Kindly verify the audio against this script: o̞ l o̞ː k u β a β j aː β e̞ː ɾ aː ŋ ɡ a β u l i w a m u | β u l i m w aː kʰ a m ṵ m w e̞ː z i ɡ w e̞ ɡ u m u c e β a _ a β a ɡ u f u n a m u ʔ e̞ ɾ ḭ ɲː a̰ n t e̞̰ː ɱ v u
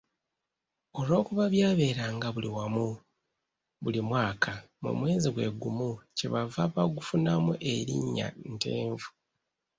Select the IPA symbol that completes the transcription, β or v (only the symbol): v